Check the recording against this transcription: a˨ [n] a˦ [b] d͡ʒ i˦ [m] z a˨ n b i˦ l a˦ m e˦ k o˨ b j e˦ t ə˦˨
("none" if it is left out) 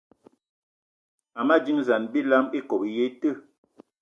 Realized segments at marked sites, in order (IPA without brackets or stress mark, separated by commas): m, none, ŋ